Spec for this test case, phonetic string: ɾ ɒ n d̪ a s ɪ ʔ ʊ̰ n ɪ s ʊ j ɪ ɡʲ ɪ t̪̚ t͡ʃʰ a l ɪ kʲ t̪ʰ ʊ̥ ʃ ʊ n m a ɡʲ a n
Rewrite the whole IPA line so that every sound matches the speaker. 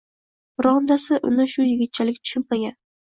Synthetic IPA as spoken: ɾ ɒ n d̪ a s ɪ ʔ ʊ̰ n ɪ ʃ ʊ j ɪ ɡʲ ɪ t̪̚ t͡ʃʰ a l ɪ kʲ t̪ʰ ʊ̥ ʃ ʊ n m a ɡʲ a n